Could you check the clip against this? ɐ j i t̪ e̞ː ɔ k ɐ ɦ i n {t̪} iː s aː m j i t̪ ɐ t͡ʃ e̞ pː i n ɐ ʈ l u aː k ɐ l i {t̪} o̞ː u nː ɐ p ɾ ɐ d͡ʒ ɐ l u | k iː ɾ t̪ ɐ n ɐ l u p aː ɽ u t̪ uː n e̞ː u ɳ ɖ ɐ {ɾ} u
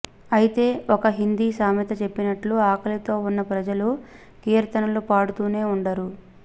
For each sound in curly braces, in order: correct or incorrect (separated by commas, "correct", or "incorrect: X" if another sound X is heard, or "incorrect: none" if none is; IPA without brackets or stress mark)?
incorrect: d̪, correct, correct